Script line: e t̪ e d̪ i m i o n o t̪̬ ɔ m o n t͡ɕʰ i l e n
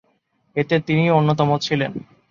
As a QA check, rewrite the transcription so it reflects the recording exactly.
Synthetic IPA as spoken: e t̪ e t̪ i n i o nː o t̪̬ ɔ m o t͡ɕʰ i l e n